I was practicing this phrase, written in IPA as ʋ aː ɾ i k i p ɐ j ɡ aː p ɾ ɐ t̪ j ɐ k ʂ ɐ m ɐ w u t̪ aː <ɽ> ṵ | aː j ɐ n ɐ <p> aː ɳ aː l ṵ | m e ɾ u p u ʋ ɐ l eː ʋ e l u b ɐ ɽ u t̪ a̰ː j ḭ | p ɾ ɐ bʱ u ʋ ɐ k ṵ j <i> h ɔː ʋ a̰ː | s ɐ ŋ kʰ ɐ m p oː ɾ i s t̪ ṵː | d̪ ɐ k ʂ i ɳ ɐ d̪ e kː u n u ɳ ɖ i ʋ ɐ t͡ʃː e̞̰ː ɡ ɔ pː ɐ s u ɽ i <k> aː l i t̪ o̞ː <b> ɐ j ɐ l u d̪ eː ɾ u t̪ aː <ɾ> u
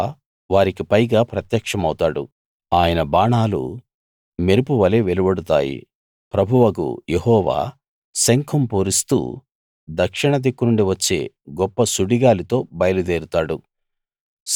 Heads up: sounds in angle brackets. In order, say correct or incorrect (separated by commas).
correct, incorrect, incorrect, incorrect, correct, incorrect